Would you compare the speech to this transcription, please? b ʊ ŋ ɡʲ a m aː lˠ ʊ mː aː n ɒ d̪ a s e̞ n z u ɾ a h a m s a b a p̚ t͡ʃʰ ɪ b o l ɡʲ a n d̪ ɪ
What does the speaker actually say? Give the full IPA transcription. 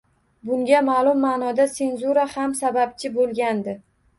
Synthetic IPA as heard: b ʊ ŋ ɡʲ a m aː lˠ ʊ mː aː n ɒ d̪ a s e̞ n z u ɾ a h a m s a b a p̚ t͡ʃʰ ɪ b o l ɡʲ a n d̪ ɪ